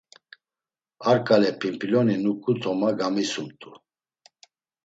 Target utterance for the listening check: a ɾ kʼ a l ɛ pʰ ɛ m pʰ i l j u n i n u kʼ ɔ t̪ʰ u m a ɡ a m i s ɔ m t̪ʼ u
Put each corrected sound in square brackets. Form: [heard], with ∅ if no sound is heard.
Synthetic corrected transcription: a ɾ kʼ a l ɛ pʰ [i] m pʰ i l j [ɔ] n i n u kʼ [u] t̪ʰ [ɔ] m a ɡ a m i s [u] m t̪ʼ u